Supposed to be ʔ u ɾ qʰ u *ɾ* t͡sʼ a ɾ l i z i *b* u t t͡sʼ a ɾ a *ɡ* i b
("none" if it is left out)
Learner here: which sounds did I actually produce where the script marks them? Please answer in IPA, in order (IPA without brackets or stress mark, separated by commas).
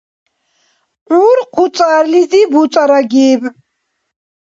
none, b, ɡ